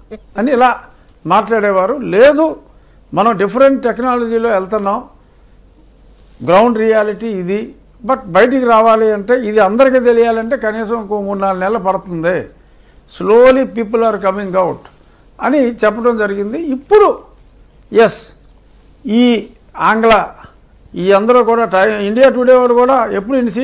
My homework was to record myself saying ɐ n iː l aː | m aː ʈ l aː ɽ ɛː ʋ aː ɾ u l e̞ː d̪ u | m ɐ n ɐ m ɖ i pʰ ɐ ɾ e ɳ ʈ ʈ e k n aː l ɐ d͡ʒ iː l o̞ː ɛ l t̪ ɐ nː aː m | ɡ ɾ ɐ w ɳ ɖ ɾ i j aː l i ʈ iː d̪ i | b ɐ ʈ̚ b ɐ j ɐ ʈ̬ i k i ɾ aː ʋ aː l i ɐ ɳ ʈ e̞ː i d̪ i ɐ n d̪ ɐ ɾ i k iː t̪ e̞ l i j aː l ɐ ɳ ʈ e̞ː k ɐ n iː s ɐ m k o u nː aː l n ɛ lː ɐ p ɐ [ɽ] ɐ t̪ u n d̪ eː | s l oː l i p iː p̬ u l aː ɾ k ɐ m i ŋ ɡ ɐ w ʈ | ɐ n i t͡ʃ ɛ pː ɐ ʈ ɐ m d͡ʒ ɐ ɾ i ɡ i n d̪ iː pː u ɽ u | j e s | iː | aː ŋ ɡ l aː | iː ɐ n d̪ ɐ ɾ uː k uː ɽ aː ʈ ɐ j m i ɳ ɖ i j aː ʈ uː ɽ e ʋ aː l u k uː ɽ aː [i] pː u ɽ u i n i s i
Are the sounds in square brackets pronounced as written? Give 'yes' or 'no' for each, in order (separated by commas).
yes, no